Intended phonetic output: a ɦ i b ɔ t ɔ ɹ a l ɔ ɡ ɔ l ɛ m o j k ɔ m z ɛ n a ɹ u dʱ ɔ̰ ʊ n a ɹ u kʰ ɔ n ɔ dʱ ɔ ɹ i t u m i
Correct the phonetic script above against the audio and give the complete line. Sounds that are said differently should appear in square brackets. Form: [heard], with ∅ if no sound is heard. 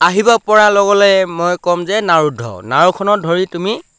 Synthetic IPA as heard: a ɦ i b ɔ [p] ɔ ɹ a l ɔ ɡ ɔ l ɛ m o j k ɔ m z ɛ n a ɹ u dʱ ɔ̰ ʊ n a ɹ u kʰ ɔ n ɔ dʱ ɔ ɹ i t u m i